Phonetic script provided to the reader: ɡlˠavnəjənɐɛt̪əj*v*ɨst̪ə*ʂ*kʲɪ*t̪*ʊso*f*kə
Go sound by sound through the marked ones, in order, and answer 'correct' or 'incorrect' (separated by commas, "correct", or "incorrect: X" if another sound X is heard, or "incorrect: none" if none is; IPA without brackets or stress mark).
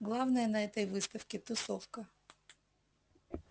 correct, incorrect: f, correct, correct